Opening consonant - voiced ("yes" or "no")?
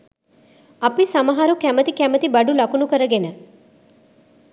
no